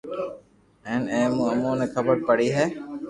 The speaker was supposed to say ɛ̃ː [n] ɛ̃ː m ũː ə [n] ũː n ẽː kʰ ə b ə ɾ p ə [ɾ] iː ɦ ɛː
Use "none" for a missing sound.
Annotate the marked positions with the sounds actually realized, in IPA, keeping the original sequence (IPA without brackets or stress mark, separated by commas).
n, m, ɽ